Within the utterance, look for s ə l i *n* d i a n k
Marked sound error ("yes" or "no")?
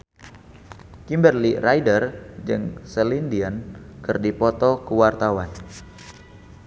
no